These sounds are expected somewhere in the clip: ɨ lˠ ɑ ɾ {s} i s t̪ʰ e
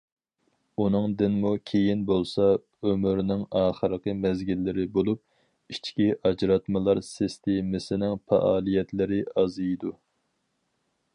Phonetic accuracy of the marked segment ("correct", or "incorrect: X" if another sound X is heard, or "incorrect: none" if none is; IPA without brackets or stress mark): correct